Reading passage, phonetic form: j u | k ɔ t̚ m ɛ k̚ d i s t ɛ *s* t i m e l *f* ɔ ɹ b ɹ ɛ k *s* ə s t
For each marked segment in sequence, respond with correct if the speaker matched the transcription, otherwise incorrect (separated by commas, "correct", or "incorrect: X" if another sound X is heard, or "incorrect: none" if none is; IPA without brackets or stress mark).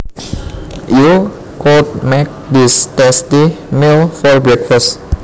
correct, correct, incorrect: f